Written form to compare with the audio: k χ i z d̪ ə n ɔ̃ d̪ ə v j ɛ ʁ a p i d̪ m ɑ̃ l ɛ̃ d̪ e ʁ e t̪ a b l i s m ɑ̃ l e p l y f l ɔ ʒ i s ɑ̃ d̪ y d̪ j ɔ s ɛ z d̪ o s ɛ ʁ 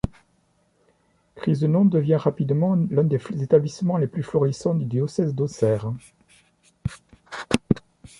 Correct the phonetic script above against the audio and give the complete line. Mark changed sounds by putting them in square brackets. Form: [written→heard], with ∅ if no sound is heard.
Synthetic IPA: k χ i z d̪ ə n ɔ̃ d̪ ə v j [ɛ→ɛ̃] ʁ a p i d̪ m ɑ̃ l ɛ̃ d̪ e [ʁ→z] e t̪ a b l i s m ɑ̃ l e p l y f l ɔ [ʒ→ʁ] i s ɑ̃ d̪ y d̪ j ɔ s ɛ z d̪ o s ɛ ʁ